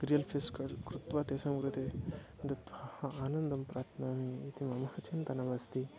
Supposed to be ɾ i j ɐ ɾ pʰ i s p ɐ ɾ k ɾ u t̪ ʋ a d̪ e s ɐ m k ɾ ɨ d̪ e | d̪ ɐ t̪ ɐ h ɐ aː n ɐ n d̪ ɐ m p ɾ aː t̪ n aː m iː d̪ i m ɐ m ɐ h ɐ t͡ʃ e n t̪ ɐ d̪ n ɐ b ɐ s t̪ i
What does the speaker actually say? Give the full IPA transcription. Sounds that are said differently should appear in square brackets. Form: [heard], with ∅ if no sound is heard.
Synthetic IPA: ɾ i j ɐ [l] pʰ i s [k] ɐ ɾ k ɾ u t̪ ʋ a [t̪] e s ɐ m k ɾ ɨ [t̪] e | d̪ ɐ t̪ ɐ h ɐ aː n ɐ n d̪ ɐ m p ɾ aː t̪ n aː m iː [t̪] i m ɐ m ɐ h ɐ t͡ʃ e n t̪ ɐ [∅] n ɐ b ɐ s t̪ i